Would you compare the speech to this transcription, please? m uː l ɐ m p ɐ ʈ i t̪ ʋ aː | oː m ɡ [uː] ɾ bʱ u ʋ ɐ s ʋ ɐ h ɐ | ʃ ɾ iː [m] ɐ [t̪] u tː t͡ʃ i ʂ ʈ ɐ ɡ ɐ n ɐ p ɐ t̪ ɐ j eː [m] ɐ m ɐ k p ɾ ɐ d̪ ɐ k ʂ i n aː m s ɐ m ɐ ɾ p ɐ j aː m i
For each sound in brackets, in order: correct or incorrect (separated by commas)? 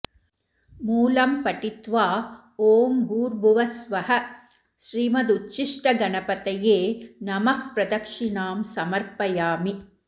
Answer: correct, correct, incorrect, incorrect